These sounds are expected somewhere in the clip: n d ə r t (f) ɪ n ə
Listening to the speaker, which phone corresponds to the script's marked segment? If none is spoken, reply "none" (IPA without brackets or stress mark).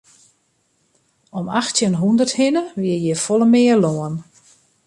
h